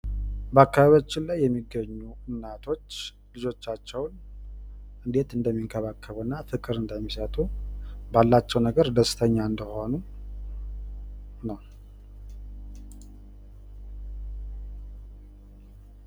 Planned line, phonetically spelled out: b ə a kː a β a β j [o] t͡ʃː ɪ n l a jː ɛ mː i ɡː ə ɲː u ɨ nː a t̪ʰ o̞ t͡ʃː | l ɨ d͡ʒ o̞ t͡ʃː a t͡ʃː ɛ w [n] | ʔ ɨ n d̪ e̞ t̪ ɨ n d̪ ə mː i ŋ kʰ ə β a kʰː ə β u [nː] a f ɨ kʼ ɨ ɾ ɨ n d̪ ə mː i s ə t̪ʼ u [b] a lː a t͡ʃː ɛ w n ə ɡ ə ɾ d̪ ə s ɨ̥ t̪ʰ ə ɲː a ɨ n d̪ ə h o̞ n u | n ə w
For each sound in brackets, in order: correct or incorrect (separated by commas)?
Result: correct, correct, correct, correct